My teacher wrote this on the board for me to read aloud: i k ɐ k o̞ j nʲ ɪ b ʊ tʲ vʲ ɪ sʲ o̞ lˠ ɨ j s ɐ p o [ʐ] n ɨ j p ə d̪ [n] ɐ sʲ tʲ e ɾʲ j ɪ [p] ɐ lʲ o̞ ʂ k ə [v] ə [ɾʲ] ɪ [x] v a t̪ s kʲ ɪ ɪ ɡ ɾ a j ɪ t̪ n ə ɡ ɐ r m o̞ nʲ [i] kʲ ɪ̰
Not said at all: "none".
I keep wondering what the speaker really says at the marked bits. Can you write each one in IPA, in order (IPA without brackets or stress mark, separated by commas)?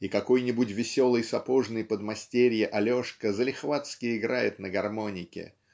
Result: ʐ, m, ʔ, z, lʲ, x, ɪ